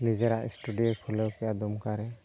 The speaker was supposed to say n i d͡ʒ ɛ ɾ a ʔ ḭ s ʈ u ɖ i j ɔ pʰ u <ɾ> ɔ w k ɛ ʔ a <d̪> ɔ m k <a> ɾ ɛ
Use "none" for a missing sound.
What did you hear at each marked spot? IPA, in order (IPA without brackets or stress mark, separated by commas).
l, d̪, a